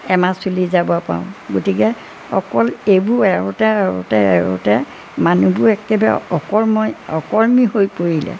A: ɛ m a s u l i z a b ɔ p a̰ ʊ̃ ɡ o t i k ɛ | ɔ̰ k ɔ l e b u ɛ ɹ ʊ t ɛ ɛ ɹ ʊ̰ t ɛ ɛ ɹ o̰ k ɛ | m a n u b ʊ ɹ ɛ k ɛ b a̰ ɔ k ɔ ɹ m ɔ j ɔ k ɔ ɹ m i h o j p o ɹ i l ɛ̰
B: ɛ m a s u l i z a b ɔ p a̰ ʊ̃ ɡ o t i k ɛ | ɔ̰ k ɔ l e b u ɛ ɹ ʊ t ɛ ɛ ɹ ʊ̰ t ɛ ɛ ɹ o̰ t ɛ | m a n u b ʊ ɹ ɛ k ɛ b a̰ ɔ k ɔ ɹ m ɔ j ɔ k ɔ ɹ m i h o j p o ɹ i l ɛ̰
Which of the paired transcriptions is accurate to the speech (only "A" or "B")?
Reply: B